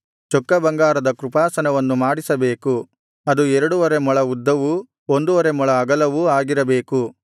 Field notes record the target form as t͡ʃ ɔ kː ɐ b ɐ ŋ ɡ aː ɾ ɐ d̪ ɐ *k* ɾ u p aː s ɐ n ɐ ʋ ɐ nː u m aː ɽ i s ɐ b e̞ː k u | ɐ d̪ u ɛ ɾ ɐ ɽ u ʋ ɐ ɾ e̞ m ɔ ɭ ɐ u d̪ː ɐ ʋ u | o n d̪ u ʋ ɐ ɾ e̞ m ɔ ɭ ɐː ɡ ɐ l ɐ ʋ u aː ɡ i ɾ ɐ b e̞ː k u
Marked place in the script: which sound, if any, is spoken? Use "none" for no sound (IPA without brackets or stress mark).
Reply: k